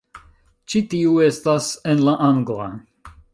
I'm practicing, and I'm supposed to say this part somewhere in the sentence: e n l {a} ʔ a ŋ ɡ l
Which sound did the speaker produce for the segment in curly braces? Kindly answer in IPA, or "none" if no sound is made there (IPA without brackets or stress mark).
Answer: a